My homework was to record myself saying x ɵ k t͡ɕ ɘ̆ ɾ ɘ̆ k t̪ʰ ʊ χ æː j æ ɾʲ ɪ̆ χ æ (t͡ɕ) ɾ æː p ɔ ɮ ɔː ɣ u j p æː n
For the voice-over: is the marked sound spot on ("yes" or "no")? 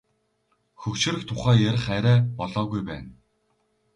no